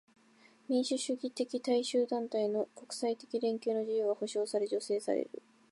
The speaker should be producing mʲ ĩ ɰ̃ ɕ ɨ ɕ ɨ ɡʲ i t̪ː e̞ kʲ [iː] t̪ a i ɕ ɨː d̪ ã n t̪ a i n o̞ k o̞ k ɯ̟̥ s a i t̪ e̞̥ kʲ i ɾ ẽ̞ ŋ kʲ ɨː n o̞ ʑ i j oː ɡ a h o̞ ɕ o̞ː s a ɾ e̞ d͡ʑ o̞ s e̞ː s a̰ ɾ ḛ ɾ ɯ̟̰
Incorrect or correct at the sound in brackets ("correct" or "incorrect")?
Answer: incorrect